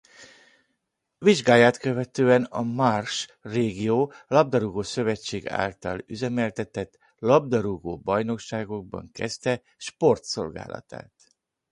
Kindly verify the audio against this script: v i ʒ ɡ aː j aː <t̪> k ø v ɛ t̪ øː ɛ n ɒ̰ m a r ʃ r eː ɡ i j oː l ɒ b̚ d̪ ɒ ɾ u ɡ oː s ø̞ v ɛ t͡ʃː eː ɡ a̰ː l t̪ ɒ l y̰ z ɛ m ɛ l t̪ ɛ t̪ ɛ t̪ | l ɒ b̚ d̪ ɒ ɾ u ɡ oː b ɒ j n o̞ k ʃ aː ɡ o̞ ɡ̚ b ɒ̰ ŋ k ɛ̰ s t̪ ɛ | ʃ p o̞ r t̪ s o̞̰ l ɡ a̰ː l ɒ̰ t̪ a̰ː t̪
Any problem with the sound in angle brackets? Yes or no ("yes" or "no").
no